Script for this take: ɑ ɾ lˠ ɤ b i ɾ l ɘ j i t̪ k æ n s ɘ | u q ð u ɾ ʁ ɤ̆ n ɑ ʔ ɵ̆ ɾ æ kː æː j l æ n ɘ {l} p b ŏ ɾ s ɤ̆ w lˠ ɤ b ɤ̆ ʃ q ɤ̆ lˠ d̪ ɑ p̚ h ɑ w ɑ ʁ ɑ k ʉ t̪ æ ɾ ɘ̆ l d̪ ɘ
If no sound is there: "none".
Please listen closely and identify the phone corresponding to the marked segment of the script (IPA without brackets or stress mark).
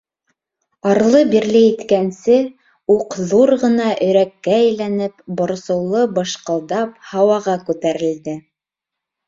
none